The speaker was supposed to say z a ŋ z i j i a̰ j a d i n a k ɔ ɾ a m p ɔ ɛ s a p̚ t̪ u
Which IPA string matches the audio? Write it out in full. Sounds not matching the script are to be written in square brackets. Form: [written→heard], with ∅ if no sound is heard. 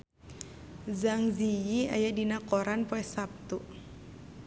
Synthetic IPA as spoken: z a ŋ z i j i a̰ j a d i n a k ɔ ɾ a [m→n] p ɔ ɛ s a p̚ t̪ u